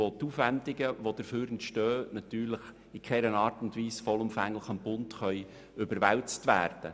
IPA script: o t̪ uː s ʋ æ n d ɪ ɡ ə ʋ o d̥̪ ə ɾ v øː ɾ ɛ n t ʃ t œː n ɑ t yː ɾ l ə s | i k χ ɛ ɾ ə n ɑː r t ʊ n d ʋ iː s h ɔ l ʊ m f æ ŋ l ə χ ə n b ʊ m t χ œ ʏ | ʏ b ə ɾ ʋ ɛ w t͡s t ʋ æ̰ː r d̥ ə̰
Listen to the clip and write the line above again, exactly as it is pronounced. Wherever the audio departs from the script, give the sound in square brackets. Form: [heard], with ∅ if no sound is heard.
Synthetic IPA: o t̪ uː [f] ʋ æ n d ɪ ɡ ə ʋ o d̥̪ ə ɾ [f] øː ɾ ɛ n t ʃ t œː n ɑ t yː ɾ l ə [χ] | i k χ ɛ ɾ ə n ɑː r t ʊ n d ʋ iː s [f] ɔ l ʊ m f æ ŋ l ə χ ə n b ʊ [n] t χ œ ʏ | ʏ b ə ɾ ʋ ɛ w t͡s t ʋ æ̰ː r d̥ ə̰